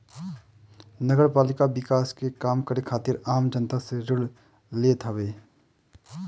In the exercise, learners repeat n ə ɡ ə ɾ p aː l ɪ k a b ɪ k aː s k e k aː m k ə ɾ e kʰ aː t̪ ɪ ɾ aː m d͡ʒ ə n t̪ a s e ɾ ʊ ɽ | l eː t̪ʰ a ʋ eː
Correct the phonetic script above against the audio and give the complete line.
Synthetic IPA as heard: n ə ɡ ə ɾ p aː l ɪ k a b ɪ k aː s k e k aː m k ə ɾ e kʰ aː t̪ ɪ ɾ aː m d͡ʒ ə n t̪ a s e ɾ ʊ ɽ | l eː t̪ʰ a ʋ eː

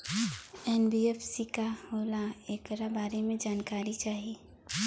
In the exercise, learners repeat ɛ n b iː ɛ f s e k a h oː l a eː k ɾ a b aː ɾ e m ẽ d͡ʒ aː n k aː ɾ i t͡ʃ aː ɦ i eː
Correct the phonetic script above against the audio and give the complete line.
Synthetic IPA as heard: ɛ n b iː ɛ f s i k a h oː l a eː k ɾ a b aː ɾ e m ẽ d͡ʒ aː n k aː ɾ i t͡ʃ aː ɦ i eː

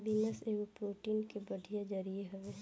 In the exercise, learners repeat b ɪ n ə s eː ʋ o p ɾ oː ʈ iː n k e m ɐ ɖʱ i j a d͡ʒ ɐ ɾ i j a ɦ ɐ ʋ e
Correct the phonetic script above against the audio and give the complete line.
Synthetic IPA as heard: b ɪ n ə s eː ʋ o p ɾ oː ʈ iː n k e b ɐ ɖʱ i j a d͡ʒ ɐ ɾ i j e ɦ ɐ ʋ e

